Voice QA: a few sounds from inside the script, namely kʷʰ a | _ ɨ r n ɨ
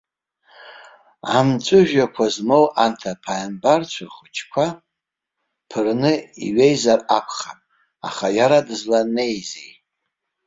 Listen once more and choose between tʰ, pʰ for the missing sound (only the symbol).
pʰ